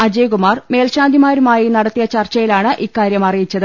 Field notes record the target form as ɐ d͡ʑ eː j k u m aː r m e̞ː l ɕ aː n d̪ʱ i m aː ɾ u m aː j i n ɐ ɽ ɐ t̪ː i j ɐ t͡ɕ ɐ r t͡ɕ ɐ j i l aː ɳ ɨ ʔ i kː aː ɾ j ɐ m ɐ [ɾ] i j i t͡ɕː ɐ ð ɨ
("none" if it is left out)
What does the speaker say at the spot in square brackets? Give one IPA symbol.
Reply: r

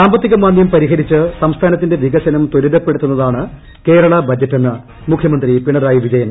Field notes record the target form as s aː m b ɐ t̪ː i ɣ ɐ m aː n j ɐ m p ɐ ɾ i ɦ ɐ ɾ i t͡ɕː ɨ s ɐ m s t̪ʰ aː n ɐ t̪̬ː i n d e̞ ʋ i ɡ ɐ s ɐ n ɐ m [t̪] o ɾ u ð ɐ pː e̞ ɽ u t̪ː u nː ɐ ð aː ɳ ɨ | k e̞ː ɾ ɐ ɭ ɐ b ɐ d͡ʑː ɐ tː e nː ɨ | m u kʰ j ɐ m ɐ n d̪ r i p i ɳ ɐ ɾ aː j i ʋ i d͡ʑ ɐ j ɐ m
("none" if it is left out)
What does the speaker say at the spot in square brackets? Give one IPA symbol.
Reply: t̪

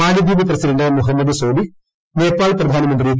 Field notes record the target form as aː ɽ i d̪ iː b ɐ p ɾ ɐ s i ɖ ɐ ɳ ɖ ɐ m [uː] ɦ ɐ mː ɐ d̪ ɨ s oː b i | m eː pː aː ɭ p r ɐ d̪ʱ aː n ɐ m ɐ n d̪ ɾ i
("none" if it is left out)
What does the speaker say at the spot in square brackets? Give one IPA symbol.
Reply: u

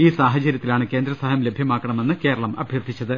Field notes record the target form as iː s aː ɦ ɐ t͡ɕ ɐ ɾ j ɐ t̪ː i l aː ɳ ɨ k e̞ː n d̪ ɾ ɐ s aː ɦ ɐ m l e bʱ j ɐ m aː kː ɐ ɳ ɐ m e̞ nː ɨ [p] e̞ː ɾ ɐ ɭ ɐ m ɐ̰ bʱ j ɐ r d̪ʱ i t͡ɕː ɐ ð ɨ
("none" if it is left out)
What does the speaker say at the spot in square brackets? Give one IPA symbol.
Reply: k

